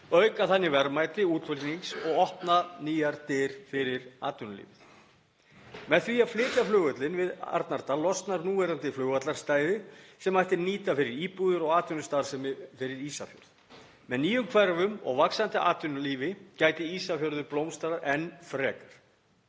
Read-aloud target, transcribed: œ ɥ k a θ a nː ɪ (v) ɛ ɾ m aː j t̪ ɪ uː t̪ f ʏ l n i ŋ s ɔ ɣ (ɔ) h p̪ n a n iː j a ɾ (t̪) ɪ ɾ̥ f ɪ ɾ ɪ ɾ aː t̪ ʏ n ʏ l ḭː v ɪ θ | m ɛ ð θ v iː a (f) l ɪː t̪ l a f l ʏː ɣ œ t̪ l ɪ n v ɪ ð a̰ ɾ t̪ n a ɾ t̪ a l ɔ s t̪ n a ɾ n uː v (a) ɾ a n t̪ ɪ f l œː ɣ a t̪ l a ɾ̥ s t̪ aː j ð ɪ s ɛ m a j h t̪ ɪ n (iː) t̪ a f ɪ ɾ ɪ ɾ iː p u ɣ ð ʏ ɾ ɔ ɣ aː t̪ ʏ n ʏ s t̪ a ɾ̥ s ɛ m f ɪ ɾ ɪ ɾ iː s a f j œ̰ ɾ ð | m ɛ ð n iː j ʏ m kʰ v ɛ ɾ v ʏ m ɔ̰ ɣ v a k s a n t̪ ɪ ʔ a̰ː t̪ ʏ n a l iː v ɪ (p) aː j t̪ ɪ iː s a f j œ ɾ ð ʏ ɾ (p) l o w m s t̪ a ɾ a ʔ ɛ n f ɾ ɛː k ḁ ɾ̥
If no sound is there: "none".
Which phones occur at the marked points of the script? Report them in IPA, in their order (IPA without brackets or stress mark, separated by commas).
v, ɔ, t̪, f, ɛ, iː, c, p